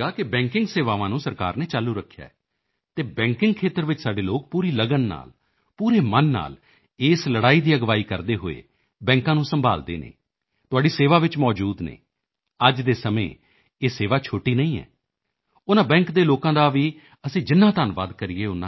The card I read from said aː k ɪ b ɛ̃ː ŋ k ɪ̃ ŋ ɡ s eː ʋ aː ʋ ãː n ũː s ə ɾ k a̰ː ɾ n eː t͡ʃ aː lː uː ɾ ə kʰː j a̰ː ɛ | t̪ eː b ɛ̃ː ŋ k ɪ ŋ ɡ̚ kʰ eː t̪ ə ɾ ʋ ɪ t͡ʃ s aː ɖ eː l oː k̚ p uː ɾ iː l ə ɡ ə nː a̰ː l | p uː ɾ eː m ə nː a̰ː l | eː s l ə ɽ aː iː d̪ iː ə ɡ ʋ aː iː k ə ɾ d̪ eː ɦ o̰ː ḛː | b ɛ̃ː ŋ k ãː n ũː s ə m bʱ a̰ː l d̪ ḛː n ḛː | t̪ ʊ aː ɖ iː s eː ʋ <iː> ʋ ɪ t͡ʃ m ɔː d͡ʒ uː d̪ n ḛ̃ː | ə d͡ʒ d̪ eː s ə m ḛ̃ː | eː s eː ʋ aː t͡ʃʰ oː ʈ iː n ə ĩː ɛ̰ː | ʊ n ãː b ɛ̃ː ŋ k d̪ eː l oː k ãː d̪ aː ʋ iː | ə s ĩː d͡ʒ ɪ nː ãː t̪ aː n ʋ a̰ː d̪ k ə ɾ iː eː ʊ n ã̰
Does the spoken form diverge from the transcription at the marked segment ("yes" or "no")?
yes